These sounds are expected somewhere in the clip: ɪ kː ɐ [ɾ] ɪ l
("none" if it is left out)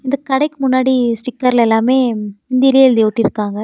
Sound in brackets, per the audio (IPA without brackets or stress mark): ɾ